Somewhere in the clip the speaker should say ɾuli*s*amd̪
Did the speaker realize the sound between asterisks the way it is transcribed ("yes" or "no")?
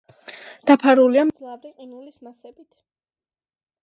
no